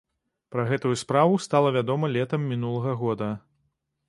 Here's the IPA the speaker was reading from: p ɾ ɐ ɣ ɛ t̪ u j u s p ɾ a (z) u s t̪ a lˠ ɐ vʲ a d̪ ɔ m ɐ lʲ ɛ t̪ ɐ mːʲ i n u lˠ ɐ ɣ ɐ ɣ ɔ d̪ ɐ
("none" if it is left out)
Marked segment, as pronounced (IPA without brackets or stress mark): v